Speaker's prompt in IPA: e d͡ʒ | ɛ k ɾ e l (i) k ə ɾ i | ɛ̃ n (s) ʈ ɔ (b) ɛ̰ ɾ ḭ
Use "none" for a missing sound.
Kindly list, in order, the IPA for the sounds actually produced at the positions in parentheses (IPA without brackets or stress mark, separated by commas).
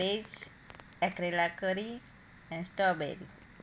a, s, b